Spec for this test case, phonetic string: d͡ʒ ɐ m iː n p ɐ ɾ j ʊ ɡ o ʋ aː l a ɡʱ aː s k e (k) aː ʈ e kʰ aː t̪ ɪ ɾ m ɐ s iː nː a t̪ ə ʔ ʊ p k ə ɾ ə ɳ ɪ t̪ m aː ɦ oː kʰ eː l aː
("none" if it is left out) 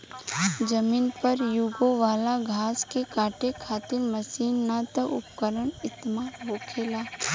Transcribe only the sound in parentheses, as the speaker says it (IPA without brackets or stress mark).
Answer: k